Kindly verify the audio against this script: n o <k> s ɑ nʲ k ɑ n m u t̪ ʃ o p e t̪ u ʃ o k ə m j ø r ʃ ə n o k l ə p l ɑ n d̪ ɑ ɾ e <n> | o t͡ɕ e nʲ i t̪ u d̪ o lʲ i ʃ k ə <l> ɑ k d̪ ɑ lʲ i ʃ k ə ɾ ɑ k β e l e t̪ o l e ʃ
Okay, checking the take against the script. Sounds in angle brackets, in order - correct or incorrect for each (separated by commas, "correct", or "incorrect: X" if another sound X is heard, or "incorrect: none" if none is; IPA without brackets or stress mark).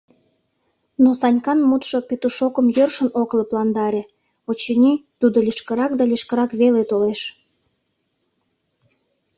incorrect: none, incorrect: none, incorrect: ɾ